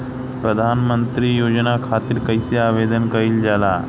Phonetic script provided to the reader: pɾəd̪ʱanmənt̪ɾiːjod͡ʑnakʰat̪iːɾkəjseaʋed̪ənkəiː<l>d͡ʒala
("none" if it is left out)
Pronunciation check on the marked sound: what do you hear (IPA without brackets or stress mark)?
l